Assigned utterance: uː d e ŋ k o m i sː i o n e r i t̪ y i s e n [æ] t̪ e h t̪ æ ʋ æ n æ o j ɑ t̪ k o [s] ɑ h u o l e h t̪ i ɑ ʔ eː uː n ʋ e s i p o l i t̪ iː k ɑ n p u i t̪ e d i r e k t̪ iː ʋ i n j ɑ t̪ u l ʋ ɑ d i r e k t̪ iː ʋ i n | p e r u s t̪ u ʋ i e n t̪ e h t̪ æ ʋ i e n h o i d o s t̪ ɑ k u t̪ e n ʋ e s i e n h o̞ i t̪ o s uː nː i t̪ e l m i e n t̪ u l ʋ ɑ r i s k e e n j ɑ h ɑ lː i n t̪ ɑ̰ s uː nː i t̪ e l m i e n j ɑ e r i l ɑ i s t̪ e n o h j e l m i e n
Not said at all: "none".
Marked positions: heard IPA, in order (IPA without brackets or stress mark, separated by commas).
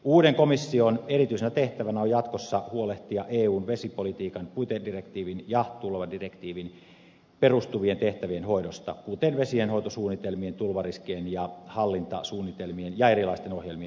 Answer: æ, sː